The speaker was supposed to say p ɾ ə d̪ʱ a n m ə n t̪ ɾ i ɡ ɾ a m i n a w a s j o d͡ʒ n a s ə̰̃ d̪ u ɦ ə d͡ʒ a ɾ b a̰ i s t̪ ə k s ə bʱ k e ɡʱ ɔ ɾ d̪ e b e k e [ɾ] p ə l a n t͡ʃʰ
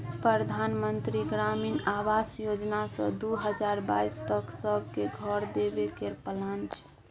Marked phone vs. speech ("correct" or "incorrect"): correct